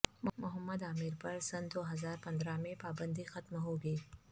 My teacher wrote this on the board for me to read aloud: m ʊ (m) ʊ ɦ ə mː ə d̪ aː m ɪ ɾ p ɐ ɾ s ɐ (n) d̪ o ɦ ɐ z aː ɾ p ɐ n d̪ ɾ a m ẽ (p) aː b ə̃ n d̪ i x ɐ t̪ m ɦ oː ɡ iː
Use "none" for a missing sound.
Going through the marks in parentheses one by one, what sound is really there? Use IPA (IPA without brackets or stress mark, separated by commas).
m, n, p